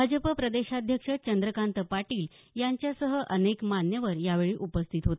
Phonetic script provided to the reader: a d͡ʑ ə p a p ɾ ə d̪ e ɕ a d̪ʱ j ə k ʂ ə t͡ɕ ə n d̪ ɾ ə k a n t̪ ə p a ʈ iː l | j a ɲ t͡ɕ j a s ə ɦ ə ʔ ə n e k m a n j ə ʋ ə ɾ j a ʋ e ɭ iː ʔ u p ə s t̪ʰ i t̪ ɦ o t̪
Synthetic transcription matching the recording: a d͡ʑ ə p ə p ɾ ə d̪ e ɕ a d̪ʱ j ə k ʂ ə t͡ɕ ə n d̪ ɾ ə k a n t̪ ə p a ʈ iː l | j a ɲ t͡ɕ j a s ə ɦ ə ʔ ə n e k m a n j ə ʋ ə ɾ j a ʋ e ɭ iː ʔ u p ə s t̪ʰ i t̪ ɦ o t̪